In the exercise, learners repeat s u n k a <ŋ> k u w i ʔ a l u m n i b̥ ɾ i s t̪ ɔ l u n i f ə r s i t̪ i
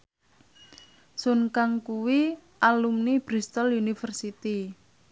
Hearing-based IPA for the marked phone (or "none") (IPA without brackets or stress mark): ŋ